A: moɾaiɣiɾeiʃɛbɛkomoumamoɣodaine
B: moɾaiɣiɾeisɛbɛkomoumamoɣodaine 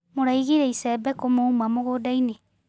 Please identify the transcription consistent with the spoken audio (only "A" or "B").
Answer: B